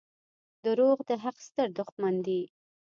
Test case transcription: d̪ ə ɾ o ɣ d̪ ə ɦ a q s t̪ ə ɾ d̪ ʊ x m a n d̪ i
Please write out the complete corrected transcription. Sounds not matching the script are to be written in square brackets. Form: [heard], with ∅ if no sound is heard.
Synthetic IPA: d̪ ə ɾ o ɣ d̪ ə ɦ a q s t̪ ə ɾ d̪ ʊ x m a n d̪ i